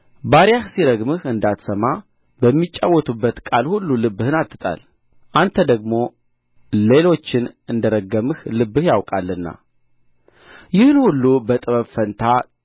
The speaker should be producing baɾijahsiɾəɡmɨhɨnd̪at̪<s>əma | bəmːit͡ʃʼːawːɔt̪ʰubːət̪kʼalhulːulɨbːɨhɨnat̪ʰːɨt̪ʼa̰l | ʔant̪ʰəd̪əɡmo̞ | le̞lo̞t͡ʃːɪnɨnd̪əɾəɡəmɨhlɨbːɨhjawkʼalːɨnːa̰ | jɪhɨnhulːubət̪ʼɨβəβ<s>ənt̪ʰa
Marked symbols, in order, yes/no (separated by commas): yes, no